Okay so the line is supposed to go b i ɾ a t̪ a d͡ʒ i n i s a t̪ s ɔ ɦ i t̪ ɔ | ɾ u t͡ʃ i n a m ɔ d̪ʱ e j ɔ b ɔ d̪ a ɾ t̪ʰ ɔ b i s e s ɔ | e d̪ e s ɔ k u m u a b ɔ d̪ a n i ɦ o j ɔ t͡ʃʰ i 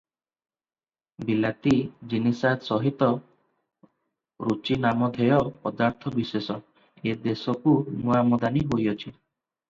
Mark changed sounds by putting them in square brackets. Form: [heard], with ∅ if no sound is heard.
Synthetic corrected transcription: b i [l] a t̪ [i] d͡ʒ i n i s a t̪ s ɔ ɦ i t̪ ɔ | ɾ u t͡ʃ i n a m ɔ d̪ʱ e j ɔ [p] ɔ d̪ a ɾ t̪ʰ ɔ b i s e s ɔ | e d̪ e s ɔ k u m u a [m] ɔ d̪ a n i ɦ o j ɔ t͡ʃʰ i